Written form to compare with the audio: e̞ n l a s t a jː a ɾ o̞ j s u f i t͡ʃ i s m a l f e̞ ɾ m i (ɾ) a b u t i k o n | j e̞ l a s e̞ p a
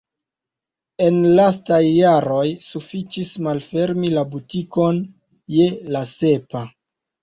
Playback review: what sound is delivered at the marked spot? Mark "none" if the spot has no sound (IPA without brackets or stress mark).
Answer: l